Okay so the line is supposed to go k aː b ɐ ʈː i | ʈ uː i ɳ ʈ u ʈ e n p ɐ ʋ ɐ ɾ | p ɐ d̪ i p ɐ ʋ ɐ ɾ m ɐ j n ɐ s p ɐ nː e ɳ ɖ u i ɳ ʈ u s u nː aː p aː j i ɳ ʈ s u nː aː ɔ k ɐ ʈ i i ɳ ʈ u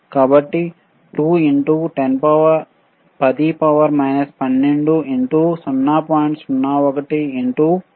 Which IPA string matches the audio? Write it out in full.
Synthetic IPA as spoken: k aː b ɐ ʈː i | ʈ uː i ɳ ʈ u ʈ e n p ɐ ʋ ɐ ɾ | p ɐ d̪ i p ɐ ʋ ɐ ɾ m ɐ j n ɐ s p ɐ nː e ɳ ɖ u i ɳ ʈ u s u nː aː p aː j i ɳ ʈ s u nː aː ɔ k ɐ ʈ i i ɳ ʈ u